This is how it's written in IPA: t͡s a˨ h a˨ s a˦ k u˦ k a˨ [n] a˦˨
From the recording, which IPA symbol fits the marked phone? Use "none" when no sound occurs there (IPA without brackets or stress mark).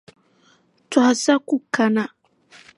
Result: n